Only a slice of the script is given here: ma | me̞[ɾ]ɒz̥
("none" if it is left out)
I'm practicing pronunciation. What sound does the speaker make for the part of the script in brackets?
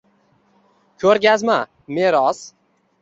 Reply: ɾ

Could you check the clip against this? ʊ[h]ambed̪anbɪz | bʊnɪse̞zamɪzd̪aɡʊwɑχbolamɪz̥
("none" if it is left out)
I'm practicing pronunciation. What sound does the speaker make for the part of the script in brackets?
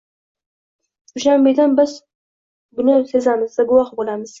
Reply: ʃ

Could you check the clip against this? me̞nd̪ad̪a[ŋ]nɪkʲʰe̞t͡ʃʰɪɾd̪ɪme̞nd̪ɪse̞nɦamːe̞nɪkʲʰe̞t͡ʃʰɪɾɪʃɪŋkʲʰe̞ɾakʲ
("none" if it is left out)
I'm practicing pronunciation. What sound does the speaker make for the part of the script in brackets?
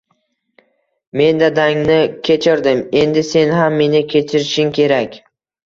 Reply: ŋ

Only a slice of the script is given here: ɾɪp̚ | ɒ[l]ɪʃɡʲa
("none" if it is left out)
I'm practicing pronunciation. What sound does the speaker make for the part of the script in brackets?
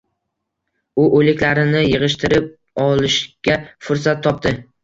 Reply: l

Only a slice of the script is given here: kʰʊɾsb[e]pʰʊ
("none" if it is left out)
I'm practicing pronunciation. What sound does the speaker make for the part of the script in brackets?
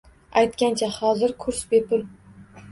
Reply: e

